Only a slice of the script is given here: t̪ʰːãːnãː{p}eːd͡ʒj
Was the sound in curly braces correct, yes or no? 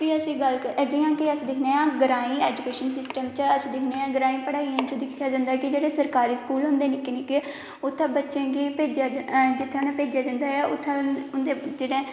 yes